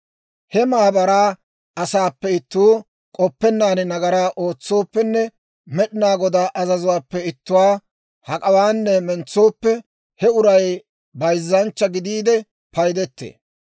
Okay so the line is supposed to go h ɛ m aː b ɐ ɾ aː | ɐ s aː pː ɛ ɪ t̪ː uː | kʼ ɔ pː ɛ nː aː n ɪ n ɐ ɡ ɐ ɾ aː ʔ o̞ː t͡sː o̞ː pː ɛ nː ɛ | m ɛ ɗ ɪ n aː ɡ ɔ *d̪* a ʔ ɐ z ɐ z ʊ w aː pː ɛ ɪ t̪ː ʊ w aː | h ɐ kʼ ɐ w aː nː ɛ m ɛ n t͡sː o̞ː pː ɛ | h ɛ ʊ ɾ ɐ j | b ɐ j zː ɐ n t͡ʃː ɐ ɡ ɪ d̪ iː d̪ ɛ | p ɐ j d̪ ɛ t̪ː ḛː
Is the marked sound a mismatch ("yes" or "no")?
no